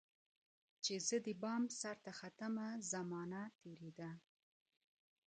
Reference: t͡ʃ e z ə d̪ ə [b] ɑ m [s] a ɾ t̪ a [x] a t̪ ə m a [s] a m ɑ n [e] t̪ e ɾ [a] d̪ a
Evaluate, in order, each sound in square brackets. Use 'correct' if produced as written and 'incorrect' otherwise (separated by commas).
correct, correct, correct, incorrect, incorrect, incorrect